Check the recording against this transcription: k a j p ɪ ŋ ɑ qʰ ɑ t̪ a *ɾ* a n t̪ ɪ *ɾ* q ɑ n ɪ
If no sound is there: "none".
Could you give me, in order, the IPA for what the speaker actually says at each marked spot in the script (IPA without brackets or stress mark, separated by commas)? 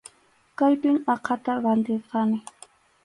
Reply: ɾ, ɾ